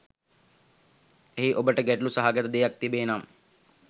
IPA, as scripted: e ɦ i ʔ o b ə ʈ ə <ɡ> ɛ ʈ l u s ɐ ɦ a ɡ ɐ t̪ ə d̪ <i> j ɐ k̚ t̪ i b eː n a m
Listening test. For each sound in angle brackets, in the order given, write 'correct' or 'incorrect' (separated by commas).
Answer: correct, incorrect